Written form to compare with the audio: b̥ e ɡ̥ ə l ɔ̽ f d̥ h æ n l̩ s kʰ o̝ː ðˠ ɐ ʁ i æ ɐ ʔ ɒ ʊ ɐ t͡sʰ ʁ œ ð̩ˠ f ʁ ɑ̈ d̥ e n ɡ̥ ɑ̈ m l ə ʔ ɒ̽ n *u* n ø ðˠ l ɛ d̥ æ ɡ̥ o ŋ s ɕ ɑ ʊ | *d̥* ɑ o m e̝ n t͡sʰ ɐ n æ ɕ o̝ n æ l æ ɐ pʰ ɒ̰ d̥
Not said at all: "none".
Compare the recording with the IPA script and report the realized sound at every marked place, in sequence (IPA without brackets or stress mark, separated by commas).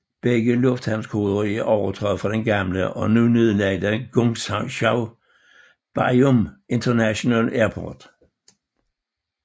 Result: u, b̥